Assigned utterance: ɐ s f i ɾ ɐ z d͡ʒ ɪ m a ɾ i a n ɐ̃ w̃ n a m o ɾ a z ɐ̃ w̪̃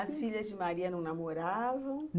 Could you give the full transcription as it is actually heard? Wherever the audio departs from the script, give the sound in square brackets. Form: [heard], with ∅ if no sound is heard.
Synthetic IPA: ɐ s f i [ʎ] ɐ z d͡ʒ ɪ m a ɾ i [ɐ] n ɐ̃ w̃ n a m o ɾ a [v] ɐ̃ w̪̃